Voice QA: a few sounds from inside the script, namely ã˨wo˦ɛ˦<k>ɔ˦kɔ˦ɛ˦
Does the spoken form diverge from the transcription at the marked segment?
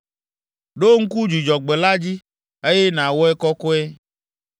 no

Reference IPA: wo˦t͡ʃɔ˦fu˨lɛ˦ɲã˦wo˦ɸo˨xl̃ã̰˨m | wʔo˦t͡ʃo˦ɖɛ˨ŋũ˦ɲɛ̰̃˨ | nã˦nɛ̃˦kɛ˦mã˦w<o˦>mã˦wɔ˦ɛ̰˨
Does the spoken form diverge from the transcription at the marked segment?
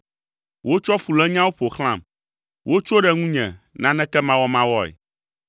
yes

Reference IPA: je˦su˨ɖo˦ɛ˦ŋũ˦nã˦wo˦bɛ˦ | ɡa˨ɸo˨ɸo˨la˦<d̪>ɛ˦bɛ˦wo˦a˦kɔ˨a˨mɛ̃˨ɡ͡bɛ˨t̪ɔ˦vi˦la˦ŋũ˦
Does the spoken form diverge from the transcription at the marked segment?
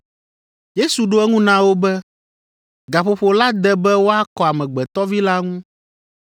no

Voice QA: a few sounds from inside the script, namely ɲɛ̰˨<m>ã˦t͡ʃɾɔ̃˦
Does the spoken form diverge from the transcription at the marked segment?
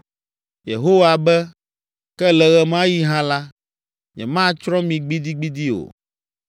no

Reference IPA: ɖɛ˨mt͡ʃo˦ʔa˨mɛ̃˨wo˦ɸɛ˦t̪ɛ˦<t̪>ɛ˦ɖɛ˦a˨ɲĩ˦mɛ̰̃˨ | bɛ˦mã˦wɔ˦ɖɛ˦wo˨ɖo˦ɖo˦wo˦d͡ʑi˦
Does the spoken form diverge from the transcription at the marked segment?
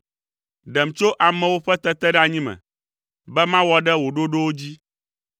no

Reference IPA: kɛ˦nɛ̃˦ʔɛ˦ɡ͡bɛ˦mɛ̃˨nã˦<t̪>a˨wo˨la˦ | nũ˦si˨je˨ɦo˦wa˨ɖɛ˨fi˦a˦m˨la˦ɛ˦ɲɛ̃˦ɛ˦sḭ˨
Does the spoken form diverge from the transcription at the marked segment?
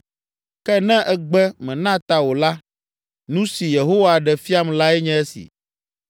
no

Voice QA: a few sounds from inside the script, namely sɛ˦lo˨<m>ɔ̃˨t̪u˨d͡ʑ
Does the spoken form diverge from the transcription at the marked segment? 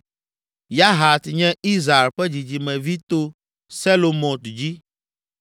no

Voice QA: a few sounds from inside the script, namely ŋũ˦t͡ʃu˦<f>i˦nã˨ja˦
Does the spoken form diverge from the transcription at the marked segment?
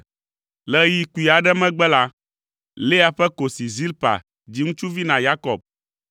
yes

